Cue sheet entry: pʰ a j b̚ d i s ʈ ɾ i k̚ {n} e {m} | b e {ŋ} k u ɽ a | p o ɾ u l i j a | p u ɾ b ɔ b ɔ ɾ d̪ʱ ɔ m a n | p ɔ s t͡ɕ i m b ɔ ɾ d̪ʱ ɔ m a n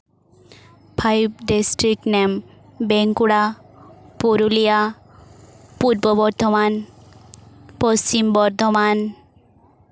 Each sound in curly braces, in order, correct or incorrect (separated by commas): correct, correct, correct